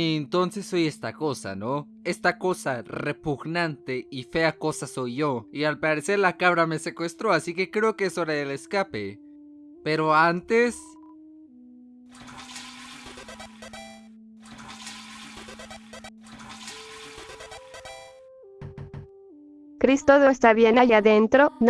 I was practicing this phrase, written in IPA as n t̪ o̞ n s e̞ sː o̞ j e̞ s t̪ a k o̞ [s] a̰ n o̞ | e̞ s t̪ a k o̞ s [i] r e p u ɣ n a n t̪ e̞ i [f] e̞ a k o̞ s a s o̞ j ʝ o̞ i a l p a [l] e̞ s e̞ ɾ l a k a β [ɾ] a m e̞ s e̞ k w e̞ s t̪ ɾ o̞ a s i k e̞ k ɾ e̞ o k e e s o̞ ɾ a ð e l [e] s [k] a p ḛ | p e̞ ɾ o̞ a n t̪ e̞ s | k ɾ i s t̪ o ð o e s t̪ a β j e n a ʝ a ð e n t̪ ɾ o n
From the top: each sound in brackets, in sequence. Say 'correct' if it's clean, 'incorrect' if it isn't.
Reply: correct, incorrect: a, correct, incorrect: ɾ, correct, correct, correct

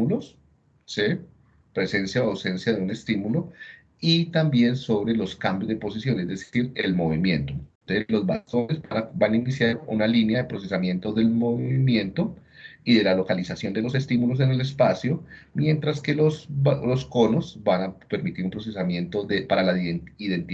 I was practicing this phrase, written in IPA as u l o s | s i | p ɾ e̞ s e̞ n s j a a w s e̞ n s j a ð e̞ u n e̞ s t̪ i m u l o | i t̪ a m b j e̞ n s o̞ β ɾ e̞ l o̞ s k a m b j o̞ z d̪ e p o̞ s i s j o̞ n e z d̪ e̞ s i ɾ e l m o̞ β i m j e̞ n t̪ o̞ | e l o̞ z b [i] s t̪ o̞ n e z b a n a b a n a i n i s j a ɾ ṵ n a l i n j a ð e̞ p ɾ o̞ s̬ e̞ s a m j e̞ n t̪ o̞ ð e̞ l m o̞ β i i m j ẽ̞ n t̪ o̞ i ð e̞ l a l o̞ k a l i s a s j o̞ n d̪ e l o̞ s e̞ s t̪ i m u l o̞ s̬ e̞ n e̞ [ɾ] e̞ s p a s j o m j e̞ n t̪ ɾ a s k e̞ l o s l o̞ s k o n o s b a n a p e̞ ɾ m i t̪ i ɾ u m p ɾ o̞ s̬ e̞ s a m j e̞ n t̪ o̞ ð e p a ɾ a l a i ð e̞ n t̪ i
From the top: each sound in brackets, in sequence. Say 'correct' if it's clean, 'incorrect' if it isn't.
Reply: incorrect: a, incorrect: l

